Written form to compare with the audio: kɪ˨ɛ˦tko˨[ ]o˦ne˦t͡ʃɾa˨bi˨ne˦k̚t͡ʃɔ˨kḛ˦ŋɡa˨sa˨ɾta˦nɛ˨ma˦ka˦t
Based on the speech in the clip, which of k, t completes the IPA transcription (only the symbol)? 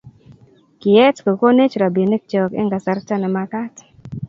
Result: k